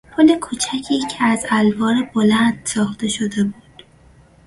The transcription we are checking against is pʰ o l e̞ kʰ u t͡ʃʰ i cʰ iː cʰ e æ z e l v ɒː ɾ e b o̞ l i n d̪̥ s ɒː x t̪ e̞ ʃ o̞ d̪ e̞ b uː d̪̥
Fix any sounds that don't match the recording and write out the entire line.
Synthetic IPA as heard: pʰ o l e̞ kʰ u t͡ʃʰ æ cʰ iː cʰ e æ z æ l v ɒː ɾ e b o̞ l æ n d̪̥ s ɒː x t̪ e̞ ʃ o̞ d̪ e̞ b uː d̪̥